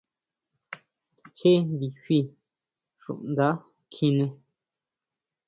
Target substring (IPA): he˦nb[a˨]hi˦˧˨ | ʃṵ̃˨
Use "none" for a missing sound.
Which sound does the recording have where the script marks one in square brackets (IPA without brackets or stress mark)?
i˨